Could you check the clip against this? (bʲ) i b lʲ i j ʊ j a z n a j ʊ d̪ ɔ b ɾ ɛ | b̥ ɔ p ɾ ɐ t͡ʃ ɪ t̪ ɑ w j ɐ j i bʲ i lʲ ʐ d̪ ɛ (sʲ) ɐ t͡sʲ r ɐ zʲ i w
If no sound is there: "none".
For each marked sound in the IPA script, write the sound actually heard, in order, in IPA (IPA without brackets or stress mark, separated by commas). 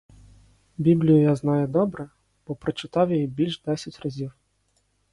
bʲ, sʲ